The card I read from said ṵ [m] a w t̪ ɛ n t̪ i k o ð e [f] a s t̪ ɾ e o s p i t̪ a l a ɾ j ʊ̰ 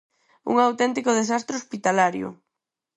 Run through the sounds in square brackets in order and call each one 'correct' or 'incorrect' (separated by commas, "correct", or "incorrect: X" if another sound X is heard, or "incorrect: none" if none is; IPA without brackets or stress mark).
incorrect: ŋ, incorrect: s